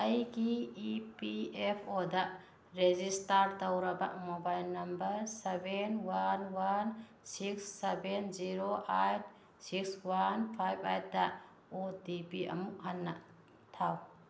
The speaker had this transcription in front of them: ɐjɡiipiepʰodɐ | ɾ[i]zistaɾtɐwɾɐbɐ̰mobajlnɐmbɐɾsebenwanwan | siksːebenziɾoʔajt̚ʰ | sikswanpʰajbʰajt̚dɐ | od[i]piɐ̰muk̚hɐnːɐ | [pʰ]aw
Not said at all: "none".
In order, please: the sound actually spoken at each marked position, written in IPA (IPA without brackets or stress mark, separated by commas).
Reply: e, i, tʰ